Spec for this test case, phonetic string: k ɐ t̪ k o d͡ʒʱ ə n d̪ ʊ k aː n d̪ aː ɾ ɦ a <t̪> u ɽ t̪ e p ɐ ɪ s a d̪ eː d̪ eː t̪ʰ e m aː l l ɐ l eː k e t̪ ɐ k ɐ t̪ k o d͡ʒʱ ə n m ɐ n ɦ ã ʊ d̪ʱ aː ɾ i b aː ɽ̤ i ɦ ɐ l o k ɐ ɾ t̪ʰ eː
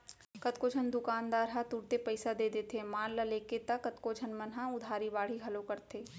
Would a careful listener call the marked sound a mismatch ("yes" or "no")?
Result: no